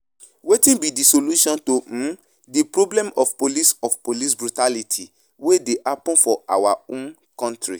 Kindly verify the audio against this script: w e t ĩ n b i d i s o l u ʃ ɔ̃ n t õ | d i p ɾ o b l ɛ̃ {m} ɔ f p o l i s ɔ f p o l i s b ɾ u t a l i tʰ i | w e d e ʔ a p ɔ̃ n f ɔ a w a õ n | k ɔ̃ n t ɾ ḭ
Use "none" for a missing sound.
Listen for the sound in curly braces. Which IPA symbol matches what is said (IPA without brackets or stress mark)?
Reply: m